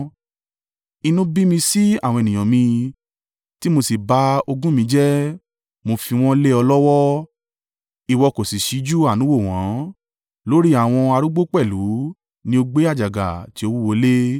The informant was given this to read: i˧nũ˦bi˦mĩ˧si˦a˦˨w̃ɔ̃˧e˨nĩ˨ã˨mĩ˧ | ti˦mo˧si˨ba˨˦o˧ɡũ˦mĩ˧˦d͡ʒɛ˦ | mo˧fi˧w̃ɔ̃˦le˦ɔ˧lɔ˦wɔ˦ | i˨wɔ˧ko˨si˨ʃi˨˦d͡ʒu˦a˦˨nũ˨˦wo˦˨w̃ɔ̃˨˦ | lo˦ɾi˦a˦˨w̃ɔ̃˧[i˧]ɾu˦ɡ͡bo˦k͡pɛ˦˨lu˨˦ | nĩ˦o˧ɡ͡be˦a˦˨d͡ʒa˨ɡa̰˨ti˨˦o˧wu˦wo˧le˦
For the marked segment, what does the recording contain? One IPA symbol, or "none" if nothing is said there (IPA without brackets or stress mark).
a˧